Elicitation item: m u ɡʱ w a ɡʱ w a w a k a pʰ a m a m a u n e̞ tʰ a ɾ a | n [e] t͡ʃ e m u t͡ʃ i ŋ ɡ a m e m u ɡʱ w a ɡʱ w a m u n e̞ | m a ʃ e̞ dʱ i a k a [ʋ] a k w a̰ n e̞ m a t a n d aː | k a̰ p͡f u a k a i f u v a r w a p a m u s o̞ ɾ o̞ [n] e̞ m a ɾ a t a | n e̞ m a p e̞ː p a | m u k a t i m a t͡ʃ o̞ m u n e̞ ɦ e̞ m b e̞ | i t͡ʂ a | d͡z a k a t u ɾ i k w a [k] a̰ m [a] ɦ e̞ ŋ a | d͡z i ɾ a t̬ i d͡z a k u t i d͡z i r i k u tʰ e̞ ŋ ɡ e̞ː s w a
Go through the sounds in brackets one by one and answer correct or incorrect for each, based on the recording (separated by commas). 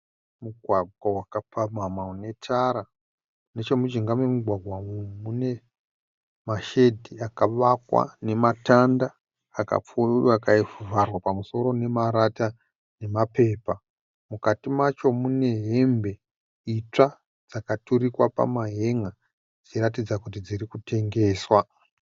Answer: correct, correct, correct, incorrect, correct